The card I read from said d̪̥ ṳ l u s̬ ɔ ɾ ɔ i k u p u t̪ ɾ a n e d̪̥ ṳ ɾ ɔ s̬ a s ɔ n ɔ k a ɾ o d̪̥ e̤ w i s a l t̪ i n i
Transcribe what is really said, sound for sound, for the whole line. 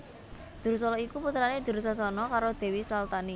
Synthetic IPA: d̪̥ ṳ ɾ u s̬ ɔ l ɔ i k u p u t̪ ɾ a n e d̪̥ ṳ ɾ u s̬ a s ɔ n ɔ k a ɾ o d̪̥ e̤ w i s a l t̪ a n i